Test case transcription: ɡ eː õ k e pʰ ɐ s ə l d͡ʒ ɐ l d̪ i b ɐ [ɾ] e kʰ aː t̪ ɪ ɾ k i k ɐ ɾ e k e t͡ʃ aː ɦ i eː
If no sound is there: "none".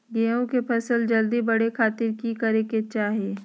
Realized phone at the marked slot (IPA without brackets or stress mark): ɽ